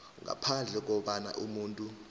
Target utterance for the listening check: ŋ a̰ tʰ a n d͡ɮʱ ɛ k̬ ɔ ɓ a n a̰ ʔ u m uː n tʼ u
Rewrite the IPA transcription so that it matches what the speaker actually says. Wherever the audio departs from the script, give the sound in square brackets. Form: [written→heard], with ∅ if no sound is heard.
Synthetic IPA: ŋ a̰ [tʰ→pʰ] a n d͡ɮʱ ɛ k̬ ɔ ɓ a n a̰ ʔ u m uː n tʼ u